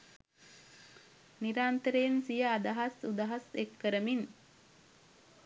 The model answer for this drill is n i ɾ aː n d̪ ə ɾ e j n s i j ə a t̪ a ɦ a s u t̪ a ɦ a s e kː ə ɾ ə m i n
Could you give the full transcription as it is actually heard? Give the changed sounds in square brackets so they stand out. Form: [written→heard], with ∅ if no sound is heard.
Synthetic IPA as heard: n i ɾ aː n [d̪→t̪] ə ɾ e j n s i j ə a [t̪→d̪] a ɦ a s u [t̪→d̪] a ɦ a s e kː ə ɾ ə m i n